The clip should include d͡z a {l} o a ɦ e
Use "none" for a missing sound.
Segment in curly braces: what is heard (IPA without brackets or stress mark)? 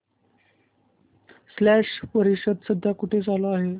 l